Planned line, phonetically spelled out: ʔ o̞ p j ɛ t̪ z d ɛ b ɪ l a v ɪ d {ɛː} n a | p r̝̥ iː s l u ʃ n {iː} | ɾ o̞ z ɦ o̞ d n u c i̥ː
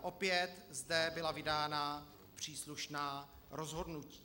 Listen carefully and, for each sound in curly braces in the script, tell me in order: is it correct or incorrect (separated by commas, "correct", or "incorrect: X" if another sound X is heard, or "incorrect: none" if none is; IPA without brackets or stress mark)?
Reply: incorrect: aː, incorrect: aː